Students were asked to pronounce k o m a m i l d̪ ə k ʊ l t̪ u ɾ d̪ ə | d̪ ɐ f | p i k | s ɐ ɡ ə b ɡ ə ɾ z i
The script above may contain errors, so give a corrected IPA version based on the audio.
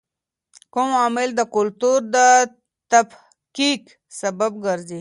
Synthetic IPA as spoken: k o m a m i l d̪ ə k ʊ l t̪ u ɾ d̪ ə | t̪ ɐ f | k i k | s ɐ b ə b ɡ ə ɾ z i